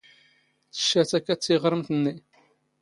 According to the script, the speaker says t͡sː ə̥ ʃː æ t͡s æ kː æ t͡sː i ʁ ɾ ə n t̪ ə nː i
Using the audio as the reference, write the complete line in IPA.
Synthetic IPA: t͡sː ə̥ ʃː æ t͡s æ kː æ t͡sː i ʁ ɾ ə m t̪ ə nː i